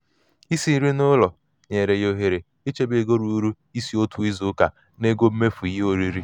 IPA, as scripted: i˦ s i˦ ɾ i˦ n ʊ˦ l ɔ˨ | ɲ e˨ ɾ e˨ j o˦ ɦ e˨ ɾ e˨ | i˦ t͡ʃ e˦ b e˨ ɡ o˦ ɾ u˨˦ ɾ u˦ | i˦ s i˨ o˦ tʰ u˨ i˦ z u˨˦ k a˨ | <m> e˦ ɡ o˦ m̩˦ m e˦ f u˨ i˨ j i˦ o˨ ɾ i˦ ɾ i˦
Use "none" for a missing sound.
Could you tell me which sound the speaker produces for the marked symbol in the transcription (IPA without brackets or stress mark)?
n